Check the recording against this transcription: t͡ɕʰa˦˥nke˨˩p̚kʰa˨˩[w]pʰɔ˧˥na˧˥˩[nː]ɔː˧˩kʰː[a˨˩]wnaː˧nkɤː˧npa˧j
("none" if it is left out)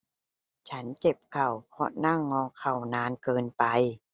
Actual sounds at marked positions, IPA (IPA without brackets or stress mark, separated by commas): w, ŋː, a˨˩